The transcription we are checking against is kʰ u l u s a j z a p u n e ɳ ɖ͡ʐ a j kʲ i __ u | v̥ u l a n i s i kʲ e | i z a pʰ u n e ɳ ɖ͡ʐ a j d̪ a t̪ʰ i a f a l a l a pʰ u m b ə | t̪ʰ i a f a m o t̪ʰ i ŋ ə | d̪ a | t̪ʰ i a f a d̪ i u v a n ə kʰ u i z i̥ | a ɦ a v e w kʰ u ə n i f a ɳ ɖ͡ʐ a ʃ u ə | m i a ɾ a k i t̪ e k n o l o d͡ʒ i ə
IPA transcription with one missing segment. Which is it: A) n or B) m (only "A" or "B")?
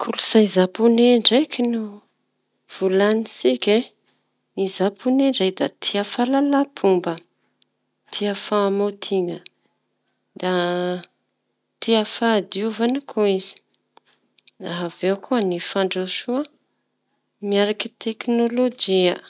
A